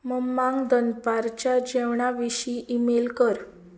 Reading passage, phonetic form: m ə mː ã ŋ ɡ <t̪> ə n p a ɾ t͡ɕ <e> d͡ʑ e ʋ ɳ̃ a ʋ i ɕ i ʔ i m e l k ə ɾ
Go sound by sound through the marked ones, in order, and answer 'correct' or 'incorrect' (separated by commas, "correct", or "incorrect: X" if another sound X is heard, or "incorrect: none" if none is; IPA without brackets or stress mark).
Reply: incorrect: d̪, incorrect: a